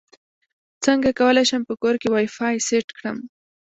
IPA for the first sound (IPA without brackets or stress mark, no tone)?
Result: t͡s